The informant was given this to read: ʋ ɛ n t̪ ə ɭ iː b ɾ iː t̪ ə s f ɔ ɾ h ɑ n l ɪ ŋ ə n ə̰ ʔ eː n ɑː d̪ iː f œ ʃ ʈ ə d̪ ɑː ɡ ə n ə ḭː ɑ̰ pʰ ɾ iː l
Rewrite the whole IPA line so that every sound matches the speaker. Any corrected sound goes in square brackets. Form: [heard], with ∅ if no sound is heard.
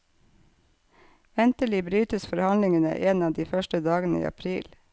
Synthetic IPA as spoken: ʋ ɛ n t̪ ə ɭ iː b ɾ [yː] t̪ ə s f ɔ ɾ h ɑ n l ɪ ŋ ə n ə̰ ʔ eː n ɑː d̪ iː f œ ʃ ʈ ə d̪ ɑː ɡ ə n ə ḭː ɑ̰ pʰ ɾ iː l